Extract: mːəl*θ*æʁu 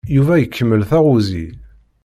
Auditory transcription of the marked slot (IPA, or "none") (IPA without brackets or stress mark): θ